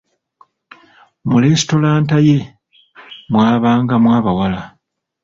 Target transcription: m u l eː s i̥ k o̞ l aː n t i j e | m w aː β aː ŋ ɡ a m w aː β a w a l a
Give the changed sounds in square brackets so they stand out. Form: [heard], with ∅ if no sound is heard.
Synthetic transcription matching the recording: m u l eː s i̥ [t] o̞ l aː n t [a] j e | m w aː β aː ŋ ɡ a m w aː β a w a l a